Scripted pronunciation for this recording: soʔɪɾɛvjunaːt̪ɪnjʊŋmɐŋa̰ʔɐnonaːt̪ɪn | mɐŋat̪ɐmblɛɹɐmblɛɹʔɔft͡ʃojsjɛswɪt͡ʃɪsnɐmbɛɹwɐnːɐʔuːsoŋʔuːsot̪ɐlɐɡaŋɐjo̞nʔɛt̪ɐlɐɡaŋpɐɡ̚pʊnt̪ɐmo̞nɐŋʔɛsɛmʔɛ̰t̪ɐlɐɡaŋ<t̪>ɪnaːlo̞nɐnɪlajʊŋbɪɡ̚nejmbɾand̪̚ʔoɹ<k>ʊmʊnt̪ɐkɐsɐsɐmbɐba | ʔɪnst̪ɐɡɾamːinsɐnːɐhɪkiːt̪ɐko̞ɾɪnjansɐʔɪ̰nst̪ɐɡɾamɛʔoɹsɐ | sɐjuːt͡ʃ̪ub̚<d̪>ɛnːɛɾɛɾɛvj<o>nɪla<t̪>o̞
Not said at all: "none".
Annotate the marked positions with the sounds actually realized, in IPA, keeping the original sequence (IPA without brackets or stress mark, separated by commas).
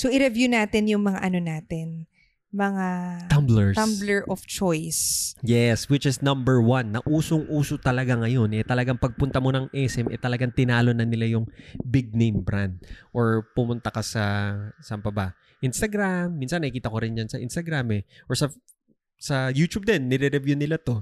t̪, p, d̪, u, t̪